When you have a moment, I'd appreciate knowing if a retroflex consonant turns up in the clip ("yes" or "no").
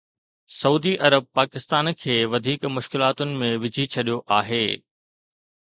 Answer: no